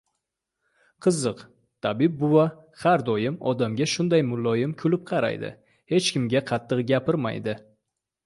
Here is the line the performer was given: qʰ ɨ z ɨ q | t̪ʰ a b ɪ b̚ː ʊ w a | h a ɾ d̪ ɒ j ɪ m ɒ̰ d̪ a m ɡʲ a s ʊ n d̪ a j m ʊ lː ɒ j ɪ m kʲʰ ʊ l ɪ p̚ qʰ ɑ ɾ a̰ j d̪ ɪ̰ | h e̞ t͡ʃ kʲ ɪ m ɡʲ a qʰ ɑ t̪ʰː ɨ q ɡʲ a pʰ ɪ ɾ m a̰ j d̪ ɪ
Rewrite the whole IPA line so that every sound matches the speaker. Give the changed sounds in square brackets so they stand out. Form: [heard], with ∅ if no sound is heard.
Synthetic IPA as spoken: qʰ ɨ z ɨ q | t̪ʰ a b ɪ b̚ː ʊ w a | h a ɾ d̪ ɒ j ɪ m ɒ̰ d̪ a m ɡʲ a [ʃ] ʊ n d̪ a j m ʊ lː ɒ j ɪ m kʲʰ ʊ l ɪ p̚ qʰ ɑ ɾ a̰ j d̪ ɪ̰ | h e̞ t͡ʃ kʲ ɪ m ɡʲ a qʰ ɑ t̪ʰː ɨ q ɡʲ a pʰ ɪ ɾ m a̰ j d̪ ɪ